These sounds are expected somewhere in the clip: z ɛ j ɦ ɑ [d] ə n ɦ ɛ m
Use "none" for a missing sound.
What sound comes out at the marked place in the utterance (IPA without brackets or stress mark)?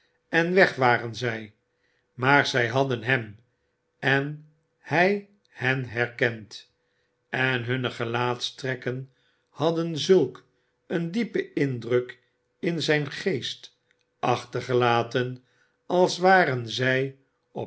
d